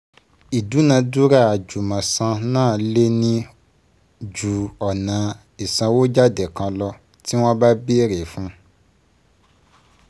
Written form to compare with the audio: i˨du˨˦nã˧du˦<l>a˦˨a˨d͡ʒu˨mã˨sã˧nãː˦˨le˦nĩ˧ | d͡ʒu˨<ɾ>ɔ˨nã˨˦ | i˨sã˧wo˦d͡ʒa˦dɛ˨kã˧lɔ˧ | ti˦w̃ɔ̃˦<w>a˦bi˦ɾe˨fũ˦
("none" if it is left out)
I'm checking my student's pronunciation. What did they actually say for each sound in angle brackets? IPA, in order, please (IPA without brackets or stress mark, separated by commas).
ɾ, none, b